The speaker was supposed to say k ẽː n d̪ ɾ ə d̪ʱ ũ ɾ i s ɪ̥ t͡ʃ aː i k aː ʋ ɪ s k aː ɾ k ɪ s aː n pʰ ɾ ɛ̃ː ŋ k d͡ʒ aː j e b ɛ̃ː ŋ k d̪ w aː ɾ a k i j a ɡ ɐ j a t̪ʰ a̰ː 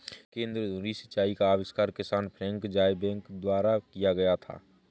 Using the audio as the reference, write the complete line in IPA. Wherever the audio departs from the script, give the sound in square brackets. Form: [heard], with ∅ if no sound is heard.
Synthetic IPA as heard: k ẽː n d̪ ɾ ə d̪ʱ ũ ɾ i s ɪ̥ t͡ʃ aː i k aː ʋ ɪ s k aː ɾ k ɪ s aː n pʰ ɾ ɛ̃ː ŋ k d͡ʒ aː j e b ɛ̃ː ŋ k d̪ w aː ɾ a k i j a ɡ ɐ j a t̪ʰ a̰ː